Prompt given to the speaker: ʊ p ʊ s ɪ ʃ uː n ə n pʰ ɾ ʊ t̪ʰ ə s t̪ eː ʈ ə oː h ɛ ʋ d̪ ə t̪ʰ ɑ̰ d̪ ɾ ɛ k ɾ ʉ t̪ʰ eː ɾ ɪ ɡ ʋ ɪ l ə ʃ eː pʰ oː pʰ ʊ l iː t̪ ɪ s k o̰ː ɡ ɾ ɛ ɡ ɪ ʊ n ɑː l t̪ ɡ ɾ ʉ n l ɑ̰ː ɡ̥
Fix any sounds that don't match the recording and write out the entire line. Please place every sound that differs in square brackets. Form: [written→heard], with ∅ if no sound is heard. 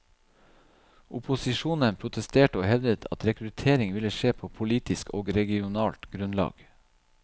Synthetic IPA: ʊ p ʊ s ɪ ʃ uː n ə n pʰ ɾ ʊ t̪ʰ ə s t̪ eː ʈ ə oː h ɛ ʋ d̪ ə t̪ʰ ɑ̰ [d̪→t̪] ɾ ɛ k ɾ ʉ t̪ʰ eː ɾ ɪ [ɡ→ŋ] ʋ ɪ l ə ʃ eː pʰ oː pʰ ʊ l iː t̪ ɪ s k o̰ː ɡ ɾ ɛ ɡ ɪ ʊ n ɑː l t̪ ɡ ɾ ʉ n l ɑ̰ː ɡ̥